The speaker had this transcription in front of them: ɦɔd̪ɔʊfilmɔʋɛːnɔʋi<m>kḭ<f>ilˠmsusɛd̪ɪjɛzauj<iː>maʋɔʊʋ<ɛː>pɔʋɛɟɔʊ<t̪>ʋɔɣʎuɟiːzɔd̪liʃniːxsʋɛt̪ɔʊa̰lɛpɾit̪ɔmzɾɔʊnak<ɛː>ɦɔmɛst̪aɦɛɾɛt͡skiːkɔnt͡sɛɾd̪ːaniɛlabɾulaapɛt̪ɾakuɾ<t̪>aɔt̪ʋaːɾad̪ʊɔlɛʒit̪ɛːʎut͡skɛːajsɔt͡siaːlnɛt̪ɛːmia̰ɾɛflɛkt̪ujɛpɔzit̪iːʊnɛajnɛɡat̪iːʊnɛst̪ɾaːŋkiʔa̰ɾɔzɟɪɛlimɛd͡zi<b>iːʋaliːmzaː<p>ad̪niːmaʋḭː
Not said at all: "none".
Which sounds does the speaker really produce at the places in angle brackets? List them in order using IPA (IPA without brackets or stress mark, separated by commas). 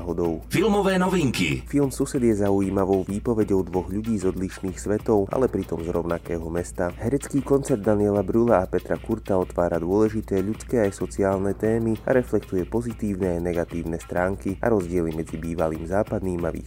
ŋ, f, iː, iː, d̪, ɛː, t̪, b, p